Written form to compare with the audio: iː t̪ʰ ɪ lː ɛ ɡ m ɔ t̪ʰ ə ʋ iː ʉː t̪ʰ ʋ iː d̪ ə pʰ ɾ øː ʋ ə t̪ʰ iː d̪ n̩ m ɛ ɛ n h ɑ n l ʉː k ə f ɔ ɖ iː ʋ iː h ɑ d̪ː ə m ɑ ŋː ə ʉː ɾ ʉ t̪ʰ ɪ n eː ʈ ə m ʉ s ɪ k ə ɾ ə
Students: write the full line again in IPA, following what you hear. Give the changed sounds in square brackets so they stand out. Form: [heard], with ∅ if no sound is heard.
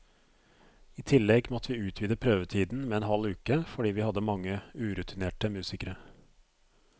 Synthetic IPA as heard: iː t̪ʰ ɪ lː ɛ ɡ m ɔ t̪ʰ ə ʋ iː ʉː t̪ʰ ʋ iː d̪ ə pʰ ɾ øː ʋ ə t̪ʰ iː d̪ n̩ m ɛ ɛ n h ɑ [∅] l ʉː k ə f ɔ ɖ iː ʋ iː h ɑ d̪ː ə m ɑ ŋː ə ʉː ɾ ʉ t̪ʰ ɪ n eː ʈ ə m [ʉː] s ɪ k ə ɾ ə